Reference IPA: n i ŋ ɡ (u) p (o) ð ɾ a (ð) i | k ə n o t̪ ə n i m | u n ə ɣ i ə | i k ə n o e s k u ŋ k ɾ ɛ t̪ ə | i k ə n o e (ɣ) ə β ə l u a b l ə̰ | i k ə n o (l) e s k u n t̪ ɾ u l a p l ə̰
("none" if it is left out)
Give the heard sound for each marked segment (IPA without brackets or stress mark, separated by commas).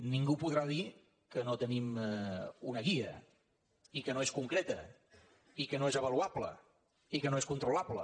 u, u, ð, z, none